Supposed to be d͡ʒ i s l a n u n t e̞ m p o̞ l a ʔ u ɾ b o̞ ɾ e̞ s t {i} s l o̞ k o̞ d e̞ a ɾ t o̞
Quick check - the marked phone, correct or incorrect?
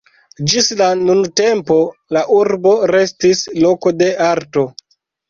correct